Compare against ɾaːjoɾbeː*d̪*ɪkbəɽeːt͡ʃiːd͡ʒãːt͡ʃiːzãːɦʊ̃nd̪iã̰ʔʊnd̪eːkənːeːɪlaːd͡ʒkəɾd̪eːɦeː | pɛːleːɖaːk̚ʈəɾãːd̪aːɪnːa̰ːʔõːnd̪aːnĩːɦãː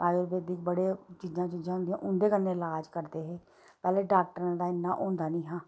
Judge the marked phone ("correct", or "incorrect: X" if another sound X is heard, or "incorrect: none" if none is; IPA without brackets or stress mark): correct